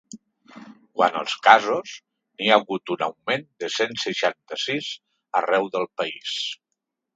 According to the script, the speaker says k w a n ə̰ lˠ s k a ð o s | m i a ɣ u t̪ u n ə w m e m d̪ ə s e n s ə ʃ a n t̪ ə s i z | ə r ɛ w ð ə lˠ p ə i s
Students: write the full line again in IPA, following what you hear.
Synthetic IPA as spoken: k w a n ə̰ lˠ s k a z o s | n i a ɣ u t̪ u n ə w m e n d̪ ə s e n s ə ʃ a n t̪ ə s i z | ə r ɛ w ð ə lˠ p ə i s